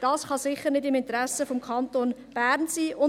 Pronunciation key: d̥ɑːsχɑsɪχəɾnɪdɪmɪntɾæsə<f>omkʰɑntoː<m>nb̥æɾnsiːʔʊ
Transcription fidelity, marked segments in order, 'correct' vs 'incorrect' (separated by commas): correct, incorrect